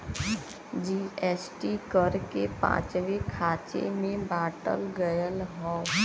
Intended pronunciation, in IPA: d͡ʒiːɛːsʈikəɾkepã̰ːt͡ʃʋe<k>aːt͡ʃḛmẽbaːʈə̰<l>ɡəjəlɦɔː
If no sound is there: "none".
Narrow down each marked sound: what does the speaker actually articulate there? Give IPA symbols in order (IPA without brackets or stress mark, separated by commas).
kʰ, l